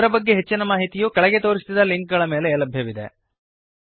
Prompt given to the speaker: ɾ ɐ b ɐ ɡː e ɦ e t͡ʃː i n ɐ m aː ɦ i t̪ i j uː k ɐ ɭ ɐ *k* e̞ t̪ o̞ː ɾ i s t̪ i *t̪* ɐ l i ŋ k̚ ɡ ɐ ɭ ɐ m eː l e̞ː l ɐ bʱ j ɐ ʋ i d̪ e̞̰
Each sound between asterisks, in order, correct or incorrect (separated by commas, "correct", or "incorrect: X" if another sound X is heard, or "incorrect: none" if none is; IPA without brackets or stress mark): incorrect: ɡ, incorrect: d̪